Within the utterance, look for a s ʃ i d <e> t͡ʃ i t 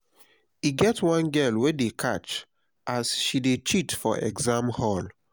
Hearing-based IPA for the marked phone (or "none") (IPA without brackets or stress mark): e